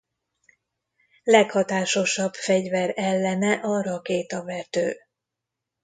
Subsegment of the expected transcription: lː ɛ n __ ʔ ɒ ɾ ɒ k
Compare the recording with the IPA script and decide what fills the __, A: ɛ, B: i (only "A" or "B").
A